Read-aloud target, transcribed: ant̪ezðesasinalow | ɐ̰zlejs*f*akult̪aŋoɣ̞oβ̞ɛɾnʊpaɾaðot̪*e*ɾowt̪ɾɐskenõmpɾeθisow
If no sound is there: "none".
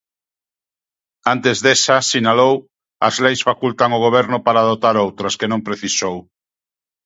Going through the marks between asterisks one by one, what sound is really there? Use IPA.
f, a

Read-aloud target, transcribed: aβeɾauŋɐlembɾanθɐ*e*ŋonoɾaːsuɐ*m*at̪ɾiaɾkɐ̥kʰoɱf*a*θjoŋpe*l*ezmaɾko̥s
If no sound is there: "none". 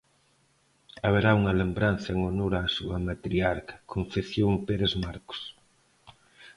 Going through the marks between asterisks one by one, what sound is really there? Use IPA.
e, m, e, ɾ

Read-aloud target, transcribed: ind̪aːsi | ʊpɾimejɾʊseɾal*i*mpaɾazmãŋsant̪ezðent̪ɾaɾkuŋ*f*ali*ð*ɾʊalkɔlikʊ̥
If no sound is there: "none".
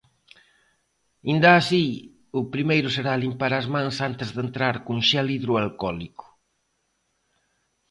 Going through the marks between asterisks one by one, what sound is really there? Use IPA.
i, ʃ, ð

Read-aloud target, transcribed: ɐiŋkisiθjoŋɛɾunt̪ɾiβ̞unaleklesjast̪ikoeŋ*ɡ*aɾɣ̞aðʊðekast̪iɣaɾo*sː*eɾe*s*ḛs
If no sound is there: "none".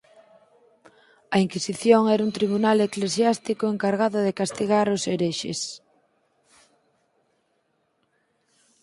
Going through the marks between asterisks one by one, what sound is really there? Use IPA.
k, s, ʃ

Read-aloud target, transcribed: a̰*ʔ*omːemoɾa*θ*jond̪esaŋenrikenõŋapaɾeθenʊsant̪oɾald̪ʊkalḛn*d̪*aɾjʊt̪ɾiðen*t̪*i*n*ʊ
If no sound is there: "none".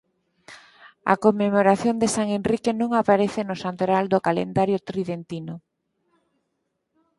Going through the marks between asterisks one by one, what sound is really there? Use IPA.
k, θ, d̪, t̪, n

